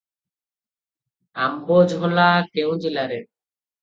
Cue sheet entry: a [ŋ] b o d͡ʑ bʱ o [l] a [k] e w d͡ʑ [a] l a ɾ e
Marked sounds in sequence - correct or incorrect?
incorrect, correct, correct, incorrect

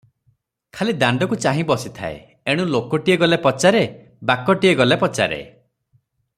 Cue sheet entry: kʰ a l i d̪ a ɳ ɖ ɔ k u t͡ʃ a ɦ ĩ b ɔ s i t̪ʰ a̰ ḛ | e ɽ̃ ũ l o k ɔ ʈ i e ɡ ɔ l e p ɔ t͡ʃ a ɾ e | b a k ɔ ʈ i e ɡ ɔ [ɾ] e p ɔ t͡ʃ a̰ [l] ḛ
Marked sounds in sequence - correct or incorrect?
incorrect, incorrect

